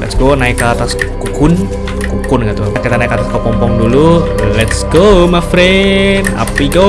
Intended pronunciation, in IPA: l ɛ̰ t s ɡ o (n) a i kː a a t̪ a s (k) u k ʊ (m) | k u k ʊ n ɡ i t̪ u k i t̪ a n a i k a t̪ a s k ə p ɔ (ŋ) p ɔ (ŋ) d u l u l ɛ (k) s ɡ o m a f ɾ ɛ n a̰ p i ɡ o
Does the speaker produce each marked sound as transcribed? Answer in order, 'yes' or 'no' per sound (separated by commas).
yes, yes, no, no, yes, no